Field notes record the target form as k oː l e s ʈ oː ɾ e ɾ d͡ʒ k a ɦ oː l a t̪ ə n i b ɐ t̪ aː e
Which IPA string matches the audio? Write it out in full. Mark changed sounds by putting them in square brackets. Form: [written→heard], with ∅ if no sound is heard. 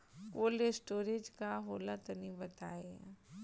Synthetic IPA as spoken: k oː l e s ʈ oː ɾ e [ɾ→∅] d͡ʒ k a ɦ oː l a t̪ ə n i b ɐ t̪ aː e